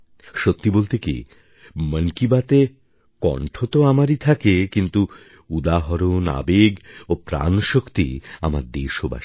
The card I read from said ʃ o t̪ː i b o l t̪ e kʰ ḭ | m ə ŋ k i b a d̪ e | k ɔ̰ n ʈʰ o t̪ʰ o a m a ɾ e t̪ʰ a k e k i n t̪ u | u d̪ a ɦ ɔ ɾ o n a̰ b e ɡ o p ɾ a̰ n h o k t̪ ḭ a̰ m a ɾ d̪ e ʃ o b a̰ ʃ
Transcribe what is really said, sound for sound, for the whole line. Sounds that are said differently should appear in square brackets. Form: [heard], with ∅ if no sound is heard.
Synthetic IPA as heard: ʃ o t̪ː i b o l t̪ e [k] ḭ | m ə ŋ k i b a [t̪] e | k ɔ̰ [ɳ] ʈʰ o [t̪] o a m a ɾ [i] t̪ʰ a k e k i n t̪ u | u d̪ a ɦ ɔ ɾ o n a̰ b e ɡ o p ɾ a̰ n [ʃ] o k t̪ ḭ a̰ m a ɾ d̪ e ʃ o b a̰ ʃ

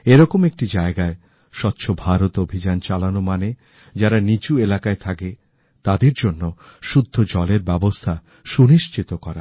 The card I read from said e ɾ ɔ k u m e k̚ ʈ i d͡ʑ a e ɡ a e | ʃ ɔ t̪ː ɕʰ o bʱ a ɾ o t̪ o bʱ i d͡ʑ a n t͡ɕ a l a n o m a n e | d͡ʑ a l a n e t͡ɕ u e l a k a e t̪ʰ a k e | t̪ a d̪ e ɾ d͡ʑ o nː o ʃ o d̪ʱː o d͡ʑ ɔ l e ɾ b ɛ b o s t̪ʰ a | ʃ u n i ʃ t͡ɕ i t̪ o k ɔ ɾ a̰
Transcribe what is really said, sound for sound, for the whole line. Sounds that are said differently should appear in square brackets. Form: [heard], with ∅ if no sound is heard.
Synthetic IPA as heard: e ɾ ɔ k [o] m e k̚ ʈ i d͡ʑ a e ɡ a e | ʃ ɔ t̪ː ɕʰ o bʱ a ɾ o t̪ o bʱ i d͡ʑ a n t͡ɕ a l a n o m a n e | d͡ʑ a [ɾ] a n [i] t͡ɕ u e l a k a e t̪ʰ a k e | t̪ a d̪ e ɾ d͡ʑ o nː o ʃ [u] d̪ʱː o d͡ʑ ɔ l e ɾ b ɛ b o s t̪ʰ a | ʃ u n i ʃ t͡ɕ i t̪ o k ɔ ɾ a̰

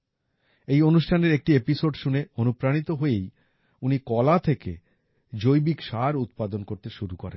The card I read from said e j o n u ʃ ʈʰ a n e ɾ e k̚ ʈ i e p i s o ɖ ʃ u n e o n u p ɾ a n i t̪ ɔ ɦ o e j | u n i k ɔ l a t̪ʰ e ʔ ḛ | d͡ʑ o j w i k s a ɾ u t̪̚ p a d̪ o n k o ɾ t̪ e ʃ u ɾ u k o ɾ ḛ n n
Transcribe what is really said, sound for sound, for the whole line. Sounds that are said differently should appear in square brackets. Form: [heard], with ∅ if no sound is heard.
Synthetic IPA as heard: e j o n u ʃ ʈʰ a n e ɾ e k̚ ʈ i e p i s o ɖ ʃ u n e o n u p ɾ a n i t̪ [o] ɦ o e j | u n i k ɔ l a t̪ʰ e [k] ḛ | d͡ʑ o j [b] i k [ʃ] a ɾ u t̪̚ p a d̪ o n k o ɾ t̪ e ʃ u ɾ u k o ɾ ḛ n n

